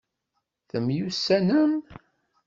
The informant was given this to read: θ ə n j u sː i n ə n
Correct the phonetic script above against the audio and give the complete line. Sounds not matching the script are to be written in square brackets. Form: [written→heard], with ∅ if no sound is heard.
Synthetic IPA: θ ə [n→m] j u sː [i→æ] n ə [n→m]